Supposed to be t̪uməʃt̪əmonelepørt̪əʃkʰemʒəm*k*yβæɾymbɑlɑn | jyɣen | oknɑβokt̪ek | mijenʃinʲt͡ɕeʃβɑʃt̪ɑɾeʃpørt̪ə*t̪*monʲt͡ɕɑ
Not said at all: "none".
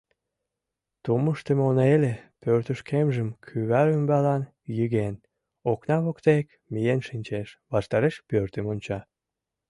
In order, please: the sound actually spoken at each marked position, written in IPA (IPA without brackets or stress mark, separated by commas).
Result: kʰ, none